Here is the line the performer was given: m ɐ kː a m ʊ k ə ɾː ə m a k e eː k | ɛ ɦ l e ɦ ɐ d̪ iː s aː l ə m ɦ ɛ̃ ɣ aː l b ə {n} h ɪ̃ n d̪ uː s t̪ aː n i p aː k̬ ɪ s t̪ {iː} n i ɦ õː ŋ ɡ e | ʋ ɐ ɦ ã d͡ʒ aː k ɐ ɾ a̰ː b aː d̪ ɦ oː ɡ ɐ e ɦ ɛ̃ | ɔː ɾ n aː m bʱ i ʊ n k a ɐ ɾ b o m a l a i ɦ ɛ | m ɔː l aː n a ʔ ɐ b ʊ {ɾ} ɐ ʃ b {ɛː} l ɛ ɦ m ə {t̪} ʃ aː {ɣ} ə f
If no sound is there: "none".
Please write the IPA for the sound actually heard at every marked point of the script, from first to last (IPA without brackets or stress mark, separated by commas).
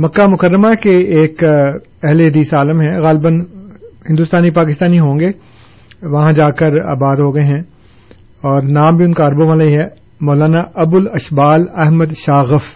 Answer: n, aː, l, aː, d̪, ɣ